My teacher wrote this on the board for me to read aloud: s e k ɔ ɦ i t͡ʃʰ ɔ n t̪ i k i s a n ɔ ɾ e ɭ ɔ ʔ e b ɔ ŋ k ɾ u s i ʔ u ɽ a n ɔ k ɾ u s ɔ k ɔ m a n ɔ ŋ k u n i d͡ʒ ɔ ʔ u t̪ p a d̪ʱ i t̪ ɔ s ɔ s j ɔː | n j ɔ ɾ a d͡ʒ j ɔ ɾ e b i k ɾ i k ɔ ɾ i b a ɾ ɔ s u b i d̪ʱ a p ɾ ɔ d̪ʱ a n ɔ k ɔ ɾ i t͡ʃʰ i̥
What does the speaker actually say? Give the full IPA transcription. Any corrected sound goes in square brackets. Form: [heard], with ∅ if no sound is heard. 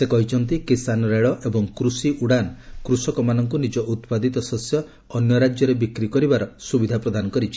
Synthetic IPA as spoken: s e k ɔ ɦ i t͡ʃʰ ɔ n t̪ i k i s a n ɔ ɾ e ɭ ɔ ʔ e b ɔ ŋ k ɾ u s i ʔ u ɽ a n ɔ k ɾ u s ɔ k ɔ m a n ɔ ŋ k u n i d͡ʒ ɔ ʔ u t̪ p a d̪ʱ i t̪ ɔ s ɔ s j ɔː | n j ɔ ɾ a d͡ʒ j ɔ ɾ e b i k ɾ i k ɔ ɾ i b a ɾ ɔ s u b i d̪ʱ a p ɾ ɔ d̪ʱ a n ɔ k ɔ ɾ i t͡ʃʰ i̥